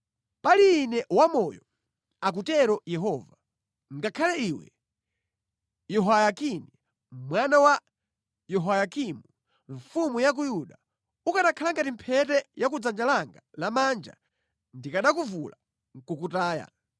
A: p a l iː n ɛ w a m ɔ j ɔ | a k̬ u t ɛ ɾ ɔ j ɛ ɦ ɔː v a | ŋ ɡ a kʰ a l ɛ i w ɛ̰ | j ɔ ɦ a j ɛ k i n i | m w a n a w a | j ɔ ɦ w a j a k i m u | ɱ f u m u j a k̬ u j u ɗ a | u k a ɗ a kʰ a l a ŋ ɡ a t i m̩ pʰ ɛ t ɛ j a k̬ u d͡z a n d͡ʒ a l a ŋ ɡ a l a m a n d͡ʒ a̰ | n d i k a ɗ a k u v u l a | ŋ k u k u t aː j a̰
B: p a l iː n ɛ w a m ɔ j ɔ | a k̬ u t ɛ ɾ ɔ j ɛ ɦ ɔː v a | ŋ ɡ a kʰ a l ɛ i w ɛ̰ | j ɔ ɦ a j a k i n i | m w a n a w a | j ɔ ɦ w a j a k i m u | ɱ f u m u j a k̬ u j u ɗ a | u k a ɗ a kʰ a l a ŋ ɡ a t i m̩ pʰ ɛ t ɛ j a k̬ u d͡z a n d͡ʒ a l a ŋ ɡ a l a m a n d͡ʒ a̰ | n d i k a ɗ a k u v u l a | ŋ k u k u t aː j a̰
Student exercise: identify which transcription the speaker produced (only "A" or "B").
B